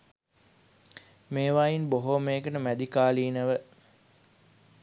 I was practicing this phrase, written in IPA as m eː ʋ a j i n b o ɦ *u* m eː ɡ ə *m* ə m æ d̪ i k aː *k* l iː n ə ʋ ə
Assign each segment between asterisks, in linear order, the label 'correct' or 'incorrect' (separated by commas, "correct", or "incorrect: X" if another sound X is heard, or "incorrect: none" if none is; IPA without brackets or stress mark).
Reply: incorrect: o, incorrect: n, incorrect: none